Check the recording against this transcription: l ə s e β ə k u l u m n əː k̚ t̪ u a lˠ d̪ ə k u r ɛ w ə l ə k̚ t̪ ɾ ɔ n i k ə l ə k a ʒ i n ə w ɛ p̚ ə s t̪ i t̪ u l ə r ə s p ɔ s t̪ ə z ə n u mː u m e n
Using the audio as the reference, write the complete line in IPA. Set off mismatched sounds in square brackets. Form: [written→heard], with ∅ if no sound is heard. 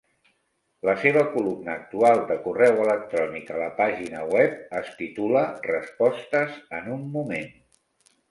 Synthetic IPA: l ə s e β ə k u l u m n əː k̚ t̪ u a lˠ d̪ ə k u r ɛ w ə l ə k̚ t̪ ɾ ɔ n i k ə l ə [k→p] a ʒ i n ə w ɛ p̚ ə s t̪ i t̪ u l ə r ə s p ɔ s t̪ ə z ə n u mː u m e n